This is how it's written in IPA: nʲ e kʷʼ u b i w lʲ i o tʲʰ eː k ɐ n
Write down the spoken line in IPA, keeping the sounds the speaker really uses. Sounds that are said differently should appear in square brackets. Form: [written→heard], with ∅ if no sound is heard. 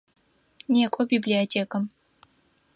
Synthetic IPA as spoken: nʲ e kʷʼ [u→ɔ] b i [w→b] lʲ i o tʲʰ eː k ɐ [n→m]